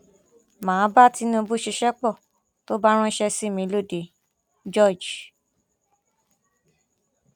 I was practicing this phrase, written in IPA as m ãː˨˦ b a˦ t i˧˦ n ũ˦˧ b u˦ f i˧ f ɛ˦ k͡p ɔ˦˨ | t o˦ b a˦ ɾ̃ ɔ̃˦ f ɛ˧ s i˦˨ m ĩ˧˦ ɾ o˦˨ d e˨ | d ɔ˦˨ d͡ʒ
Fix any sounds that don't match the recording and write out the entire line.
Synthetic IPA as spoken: m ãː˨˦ b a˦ t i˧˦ n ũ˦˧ b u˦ ʃ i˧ ʃ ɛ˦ k͡p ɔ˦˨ | t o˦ b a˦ ɾ̃ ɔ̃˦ ʃ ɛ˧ s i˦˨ m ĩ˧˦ l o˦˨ d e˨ | d͡ʒ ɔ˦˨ d͡ʒ